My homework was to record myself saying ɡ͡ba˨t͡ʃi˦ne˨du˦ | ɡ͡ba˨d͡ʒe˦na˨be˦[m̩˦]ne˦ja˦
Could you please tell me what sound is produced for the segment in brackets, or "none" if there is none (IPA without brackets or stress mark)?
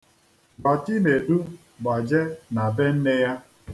n̩˦